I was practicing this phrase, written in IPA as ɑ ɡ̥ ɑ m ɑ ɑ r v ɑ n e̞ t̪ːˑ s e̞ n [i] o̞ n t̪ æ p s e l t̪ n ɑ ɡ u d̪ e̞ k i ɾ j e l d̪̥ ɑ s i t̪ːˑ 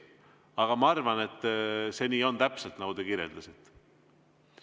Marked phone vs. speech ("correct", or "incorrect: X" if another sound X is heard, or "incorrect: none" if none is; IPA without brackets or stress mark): incorrect: iː